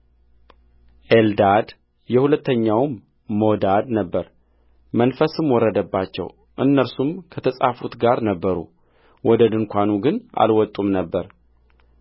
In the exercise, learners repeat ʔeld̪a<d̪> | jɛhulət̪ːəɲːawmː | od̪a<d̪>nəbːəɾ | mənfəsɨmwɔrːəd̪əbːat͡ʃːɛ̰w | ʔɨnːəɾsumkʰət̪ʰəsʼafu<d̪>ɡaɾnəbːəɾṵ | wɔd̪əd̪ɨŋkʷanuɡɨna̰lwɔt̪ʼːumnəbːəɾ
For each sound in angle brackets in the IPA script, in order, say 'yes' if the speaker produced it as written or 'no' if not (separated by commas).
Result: yes, yes, no